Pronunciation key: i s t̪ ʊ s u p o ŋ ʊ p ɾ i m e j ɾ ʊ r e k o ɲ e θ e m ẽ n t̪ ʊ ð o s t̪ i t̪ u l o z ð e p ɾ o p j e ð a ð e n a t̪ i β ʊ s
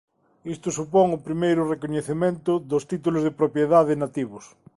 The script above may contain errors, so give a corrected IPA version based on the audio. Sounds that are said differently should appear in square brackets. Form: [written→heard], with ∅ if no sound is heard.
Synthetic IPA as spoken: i s t̪ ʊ s u p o ŋ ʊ p ɾ i m e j ɾ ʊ r e k o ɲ e θ e m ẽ n t̪ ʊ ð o s t̪ i t̪ u l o z ð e p ɾ o p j e ð a ð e n a t̪ i β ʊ s